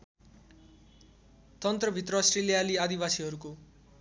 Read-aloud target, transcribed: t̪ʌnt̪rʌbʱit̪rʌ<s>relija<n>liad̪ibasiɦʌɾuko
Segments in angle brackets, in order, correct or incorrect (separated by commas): correct, incorrect